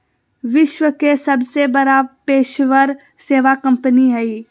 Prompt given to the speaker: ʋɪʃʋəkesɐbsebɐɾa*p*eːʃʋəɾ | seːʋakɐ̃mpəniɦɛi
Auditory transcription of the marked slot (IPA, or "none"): p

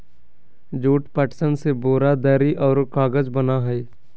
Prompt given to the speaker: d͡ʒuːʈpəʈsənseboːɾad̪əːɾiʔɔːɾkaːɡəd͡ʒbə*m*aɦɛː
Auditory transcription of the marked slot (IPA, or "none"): n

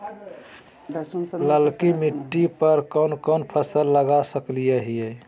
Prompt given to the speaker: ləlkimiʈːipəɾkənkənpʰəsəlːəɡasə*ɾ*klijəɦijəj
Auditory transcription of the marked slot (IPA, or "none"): none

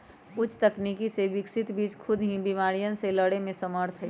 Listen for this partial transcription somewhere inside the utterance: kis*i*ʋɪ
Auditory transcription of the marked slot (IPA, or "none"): e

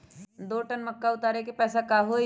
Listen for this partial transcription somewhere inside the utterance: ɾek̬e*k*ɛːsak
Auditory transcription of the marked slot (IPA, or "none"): p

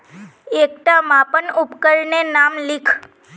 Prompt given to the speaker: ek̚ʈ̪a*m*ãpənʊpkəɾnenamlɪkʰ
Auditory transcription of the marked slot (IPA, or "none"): m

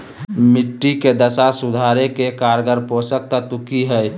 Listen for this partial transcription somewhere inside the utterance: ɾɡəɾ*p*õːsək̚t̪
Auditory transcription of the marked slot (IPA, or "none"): p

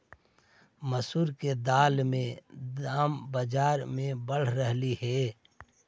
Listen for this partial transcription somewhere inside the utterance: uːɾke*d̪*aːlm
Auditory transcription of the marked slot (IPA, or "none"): d̪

